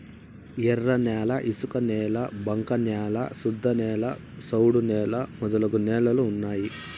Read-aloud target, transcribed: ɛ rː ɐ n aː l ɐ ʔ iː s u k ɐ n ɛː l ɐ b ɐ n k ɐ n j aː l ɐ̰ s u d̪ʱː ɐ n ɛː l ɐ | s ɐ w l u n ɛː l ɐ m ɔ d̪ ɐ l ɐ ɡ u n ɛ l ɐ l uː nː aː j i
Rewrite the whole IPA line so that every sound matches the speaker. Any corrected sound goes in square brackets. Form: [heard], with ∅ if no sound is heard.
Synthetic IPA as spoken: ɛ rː ɐ n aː l ɐ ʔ [i] s u k ɐ n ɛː l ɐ b ɐ [ŋ] k ɐ n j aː l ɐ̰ s u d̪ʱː ɐ n ɛː l ɐ | s ɐ w [ɽ] u n ɛː l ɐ m ɔ d̪ ɐ l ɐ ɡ u n [ɛː] l ɐ l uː nː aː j i

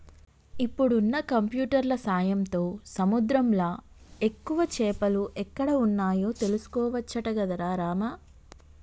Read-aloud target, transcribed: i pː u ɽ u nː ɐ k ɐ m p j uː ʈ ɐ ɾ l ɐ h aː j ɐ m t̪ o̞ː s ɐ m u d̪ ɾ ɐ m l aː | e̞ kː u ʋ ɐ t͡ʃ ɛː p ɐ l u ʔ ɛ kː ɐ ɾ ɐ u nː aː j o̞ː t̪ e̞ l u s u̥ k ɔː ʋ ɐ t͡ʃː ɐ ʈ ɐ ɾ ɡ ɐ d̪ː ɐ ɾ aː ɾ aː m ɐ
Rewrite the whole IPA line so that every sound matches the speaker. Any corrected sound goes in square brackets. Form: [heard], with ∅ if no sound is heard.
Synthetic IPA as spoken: i pː u ɽ u nː ɐ k ɐ m p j uː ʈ ɐ ɾ l ɐ [s] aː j ɐ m t̪ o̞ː s ɐ m u d̪ ɾ ɐ m l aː | e̞ kː u ʋ ɐ t͡ʃ ɛː p ɐ l u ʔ ɛ kː ɐ [ɽ] ɐ u nː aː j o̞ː t̪ e̞ l u s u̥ k ɔː ʋ ɐ t͡ʃː ɐ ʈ ɐ [∅] ɡ ɐ [d̪] ɐ ɾ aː ɾ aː m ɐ

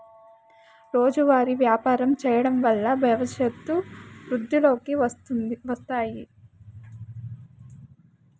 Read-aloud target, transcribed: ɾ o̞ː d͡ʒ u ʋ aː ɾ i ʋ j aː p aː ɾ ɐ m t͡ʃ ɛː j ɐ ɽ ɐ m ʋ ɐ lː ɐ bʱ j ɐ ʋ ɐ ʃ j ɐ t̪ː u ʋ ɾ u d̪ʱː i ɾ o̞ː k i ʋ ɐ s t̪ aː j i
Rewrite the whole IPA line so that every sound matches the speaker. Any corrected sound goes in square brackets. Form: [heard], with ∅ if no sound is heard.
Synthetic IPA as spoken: ɾ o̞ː d͡ʒ u ʋ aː ɾ i ʋ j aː p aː ɾ ɐ m t͡ʃ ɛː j ɐ ɽ ɐ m ʋ ɐ lː ɐ bʱ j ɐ ʋ ɐ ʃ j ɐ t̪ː u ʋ ɾ u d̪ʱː i [l] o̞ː k i ʋ ɐ s t̪ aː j i

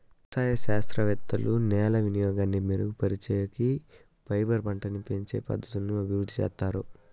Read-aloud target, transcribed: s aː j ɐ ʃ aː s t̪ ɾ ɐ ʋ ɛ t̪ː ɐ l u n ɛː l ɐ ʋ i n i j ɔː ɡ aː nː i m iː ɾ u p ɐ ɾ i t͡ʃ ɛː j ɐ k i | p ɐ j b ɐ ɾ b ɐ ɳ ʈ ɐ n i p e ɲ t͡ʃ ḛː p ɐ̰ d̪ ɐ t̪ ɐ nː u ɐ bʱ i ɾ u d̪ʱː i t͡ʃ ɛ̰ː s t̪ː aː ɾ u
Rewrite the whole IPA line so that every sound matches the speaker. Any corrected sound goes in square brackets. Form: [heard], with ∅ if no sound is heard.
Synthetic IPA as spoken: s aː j ɐ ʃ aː s t̪ ɾ ɐ ʋ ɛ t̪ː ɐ l u n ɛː l ɐ ʋ i n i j ɔː ɡ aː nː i m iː ɾ u p ɐ ɾ i t͡ʃ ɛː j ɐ k i | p ɐ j b ɐ ɾ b ɐ ɳ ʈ ɐ n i p e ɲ t͡ʃ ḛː p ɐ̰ d̪ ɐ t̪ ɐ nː u ɐ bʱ i ɾ u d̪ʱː i t͡ʃ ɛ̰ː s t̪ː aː ɾ u

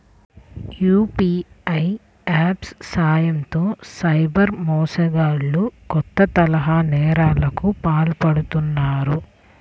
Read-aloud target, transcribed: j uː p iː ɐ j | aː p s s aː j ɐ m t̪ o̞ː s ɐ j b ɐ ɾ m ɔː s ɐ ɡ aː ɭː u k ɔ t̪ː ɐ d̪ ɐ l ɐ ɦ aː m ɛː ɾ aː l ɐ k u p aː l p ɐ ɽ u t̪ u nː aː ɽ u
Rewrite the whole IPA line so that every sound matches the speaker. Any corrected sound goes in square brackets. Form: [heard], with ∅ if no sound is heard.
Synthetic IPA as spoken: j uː p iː ɐ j | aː p s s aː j ɐ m t̪ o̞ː s ɐ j b ɐ ɾ m ɔː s ɐ ɡ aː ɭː u k ɔ t̪ː ɐ [t̪] ɐ l ɐ ɦ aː [n] ɛː ɾ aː l ɐ k u p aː l p ɐ ɽ u t̪ u nː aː [ɾ] u

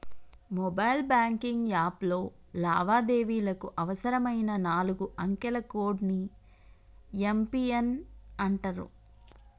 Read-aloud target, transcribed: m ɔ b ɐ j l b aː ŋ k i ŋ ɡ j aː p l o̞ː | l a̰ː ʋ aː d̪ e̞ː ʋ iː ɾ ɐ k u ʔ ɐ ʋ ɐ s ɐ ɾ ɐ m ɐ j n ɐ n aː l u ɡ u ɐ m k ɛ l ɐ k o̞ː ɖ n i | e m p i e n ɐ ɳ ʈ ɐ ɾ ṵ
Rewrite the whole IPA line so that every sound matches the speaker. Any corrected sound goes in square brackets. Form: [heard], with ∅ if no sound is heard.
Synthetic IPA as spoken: m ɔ b ɐ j l b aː ŋ k i ŋ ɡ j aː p l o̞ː | l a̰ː ʋ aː d̪ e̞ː ʋ iː [l] ɐ k u ʔ ɐ ʋ ɐ s ɐ ɾ ɐ m ɐ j n ɐ n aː l u ɡ u ɐ [ŋ] k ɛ l ɐ k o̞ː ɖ n i | e m p i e n ɐ ɳ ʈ ɐ ɾ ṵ

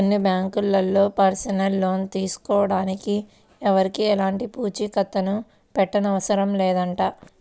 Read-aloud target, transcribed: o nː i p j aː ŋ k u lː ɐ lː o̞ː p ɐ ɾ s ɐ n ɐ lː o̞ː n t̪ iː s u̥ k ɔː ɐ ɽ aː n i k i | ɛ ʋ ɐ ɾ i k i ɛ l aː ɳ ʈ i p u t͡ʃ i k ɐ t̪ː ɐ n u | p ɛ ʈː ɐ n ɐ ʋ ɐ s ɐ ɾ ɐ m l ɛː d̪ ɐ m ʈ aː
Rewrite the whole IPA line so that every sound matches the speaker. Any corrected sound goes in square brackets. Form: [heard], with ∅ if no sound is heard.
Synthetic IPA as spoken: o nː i [b] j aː ŋ k u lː ɐ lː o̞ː p ɐ ɾ s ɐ n ɐ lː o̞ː n t̪ iː s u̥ k ɔː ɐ ɽ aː n i k i | ɛ ʋ ɐ ɾ i k i ɛ l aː ɳ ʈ i p [uː] t͡ʃ i k ɐ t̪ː ɐ n u | p ɛ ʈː ɐ n ɐ ʋ ɐ s ɐ ɾ ɐ m l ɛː d̪ ɐ [ɳ] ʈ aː

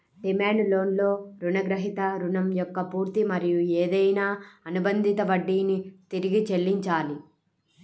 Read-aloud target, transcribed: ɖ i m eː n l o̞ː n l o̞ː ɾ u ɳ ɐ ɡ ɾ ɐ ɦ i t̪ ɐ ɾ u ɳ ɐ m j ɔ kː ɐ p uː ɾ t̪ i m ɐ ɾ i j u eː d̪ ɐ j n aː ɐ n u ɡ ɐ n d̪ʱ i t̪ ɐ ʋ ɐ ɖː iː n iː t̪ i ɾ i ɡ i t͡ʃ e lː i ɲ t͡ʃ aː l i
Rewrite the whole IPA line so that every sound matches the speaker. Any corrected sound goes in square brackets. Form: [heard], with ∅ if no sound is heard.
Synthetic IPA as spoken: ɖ i m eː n l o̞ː n l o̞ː ɾ u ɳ ɐ ɡ ɾ ɐ ɦ i t̪ ɐ ɾ u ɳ ɐ m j ɔ kː ɐ p uː ɾ t̪ i m ɐ ɾ i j u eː d̪ ɐ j n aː ɐ n u [b] ɐ n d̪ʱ i t̪ ɐ ʋ ɐ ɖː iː n [i] t̪ i ɾ i ɡ i t͡ʃ e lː i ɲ t͡ʃ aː l i

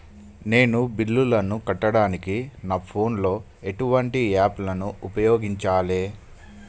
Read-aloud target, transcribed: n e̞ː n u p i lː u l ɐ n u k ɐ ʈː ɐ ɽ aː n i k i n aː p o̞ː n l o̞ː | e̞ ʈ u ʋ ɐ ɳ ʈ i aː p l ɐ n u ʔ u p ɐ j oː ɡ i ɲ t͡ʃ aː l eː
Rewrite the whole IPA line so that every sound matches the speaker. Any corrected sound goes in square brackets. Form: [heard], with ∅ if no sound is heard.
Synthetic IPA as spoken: n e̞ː n u [b] i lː u l ɐ n u k ɐ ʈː ɐ ɽ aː n i k i n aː [pʰ] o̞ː n l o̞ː | e̞ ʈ u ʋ ɐ ɳ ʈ i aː p l ɐ n u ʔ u p ɐ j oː ɡ i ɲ t͡ʃ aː l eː

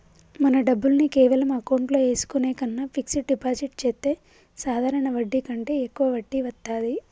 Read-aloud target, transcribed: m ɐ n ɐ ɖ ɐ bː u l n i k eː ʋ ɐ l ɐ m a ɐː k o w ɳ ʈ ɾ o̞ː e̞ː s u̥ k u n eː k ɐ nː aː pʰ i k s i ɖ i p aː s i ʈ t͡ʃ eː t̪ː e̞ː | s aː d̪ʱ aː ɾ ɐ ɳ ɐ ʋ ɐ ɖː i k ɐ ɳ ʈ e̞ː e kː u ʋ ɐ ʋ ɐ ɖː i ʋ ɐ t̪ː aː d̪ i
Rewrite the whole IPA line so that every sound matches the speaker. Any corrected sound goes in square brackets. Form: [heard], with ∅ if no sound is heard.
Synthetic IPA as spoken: m ɐ n ɐ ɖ ɐ bː u l n i k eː ʋ ɐ l ɐ m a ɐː k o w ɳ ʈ [l] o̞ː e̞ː s u̥ k u n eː k ɐ nː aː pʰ i k s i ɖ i p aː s i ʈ t͡ʃ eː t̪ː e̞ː | s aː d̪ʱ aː ɾ ɐ ɳ ɐ ʋ ɐ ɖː i k ɐ ɳ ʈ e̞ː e kː u ʋ ɐ ʋ ɐ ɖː i ʋ ɐ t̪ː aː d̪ i

